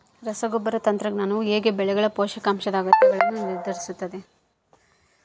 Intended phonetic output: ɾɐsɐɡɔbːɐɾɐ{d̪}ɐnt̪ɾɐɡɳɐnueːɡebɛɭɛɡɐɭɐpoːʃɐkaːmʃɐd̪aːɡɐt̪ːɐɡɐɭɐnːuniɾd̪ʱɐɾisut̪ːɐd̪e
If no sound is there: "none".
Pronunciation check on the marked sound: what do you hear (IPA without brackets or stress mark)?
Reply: t̪